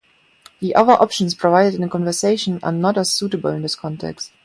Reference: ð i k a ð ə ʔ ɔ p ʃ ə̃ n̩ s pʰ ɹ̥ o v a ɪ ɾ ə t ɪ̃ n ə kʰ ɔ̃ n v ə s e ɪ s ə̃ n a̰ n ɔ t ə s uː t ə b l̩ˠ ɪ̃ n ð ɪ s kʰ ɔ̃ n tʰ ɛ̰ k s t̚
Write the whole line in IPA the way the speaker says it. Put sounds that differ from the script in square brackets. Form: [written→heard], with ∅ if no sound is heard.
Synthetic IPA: ð i [k→ʔ] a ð ə ʔ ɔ p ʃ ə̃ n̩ s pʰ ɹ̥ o v a ɪ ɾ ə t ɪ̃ n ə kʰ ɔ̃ n v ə s e ɪ [s→ʃ] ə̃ n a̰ n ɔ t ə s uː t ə b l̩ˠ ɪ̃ n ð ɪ s kʰ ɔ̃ n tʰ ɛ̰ k s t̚

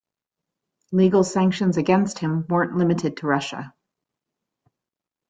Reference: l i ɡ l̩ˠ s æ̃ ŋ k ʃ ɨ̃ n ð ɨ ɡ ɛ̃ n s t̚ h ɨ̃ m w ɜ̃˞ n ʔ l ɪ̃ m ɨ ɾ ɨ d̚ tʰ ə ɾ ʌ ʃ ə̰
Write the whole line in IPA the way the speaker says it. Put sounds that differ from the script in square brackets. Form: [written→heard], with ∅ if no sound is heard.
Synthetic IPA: l i ɡ l̩ˠ s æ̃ ŋ k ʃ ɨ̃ n [ð→z] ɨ ɡ ɛ̃ n s t̚ h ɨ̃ m w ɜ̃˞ n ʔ l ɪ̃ m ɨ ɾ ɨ d̚ tʰ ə [ɾ→ɹ] ʌ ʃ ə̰

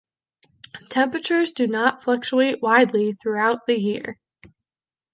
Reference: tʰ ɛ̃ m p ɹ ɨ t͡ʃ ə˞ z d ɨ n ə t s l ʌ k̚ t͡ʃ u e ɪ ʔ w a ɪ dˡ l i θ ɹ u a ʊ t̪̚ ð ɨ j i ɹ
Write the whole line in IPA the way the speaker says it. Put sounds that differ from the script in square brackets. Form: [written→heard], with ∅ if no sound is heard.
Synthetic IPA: tʰ ɛ̃ m p ɹ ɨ t͡ʃ ə˞ z d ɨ n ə t [s→f] l ʌ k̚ t͡ʃ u e ɪ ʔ w a ɪ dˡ l i θ ɹ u a ʊ t̪̚ ð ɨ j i ɹ

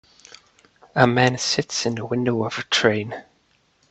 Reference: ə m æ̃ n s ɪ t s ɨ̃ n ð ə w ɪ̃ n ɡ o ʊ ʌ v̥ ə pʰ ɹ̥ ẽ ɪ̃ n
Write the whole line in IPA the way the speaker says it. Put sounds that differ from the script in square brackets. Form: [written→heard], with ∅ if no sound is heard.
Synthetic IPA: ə m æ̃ n s ɪ t s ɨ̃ n ð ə w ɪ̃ n [ɡ→d] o ʊ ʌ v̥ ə [pʰ→tʰ] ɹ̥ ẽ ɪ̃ n

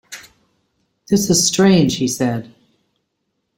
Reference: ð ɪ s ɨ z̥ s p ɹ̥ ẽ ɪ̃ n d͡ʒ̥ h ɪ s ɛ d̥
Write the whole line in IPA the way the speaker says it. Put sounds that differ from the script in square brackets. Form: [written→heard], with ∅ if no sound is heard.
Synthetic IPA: ð ɪ s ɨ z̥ s [p→t] ɹ̥ ẽ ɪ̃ n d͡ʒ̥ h [ɪ→i] s ɛ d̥

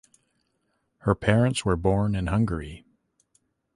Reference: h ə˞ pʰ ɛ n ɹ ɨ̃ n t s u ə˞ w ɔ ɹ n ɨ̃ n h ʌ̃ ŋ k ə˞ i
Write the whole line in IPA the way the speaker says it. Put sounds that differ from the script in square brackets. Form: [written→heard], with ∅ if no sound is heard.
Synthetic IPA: h ə˞ pʰ ɛ [n→∅] ɹ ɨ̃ n t s [u→w] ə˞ [w→b] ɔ ɹ n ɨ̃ n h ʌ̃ ŋ [k→ɡ] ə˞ i

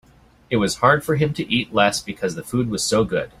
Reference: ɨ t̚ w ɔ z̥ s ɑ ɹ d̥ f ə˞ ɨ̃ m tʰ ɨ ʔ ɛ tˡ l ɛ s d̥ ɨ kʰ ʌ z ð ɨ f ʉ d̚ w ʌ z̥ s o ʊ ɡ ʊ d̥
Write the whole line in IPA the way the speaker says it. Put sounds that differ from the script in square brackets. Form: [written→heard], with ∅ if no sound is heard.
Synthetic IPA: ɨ t̚ w [ɔ→ʌ] z̥ [s→h] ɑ ɹ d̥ f ə˞ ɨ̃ m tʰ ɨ ʔ [ɛ→i] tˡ l ɛ s [d̥→b̥] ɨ kʰ ʌ z ð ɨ f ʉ d̚ w ʌ z̥ s o ʊ ɡ ʊ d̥

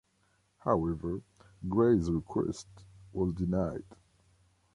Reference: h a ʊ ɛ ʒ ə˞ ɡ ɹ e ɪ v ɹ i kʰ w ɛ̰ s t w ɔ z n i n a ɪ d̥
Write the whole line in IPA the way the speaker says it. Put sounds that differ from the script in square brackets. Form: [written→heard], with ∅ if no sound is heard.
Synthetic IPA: h a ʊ ɛ [ʒ→v] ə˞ ɡ ɹ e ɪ [v→z] ɹ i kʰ w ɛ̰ s t w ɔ z [n→d] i n a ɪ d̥

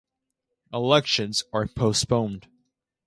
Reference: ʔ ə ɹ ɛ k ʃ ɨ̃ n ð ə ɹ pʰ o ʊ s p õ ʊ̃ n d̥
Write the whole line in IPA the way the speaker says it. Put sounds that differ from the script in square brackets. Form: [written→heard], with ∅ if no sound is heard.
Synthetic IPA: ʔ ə [ɹ→l] ɛ k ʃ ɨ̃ n [ð→z] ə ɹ pʰ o ʊ s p õ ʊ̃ n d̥

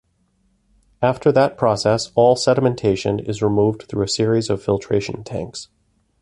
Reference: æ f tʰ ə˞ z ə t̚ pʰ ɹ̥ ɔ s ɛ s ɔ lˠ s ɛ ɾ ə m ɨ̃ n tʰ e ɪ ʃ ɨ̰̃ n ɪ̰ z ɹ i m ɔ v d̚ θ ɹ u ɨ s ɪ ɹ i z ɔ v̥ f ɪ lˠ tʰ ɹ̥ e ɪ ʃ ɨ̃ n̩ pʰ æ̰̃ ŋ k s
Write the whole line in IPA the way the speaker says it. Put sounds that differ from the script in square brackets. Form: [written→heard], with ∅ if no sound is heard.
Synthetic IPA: æ f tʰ ə˞ [z→ð] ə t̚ pʰ ɹ̥ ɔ s ɛ s ɔ lˠ s ɛ ɾ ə m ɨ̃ n tʰ e ɪ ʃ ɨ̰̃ n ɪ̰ z ɹ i m [ɔ→u] v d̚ θ ɹ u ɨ s ɪ ɹ i z [ɔ→ʌ] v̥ f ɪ lˠ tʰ ɹ̥ e ɪ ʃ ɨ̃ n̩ [pʰ→tʰ] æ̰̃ ŋ k s

